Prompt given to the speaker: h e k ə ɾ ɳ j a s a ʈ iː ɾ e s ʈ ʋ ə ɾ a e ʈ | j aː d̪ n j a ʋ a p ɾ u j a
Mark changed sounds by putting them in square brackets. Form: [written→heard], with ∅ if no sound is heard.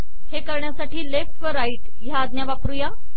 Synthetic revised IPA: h e k ə ɾ ɳ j a s a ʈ iː [ɾ→l] e [s→f] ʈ ʋ ə ɾ a [e→i] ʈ | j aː d̪ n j a ʋ a p ɾ u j a